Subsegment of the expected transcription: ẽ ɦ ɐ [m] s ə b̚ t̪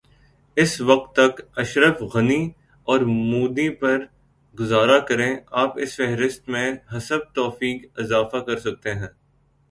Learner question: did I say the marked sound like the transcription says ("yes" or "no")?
no